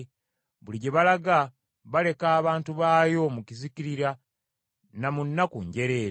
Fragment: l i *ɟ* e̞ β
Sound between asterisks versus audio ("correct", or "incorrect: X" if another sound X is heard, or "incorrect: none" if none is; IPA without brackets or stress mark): correct